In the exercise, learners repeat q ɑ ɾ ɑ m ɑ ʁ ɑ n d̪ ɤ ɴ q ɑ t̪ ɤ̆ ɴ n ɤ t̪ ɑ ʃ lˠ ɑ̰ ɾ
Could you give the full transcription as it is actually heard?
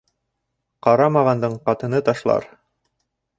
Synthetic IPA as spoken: q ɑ ɾ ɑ m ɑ ʁ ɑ n d̪ ɤ ɴ q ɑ t̪ ɤ̆ n ɤ t̪ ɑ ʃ lˠ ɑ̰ ɾ